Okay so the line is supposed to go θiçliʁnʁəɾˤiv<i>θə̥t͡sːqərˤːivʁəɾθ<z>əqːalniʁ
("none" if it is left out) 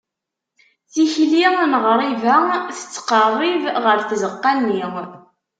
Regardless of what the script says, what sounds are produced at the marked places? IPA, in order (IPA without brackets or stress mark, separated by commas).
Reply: æ, z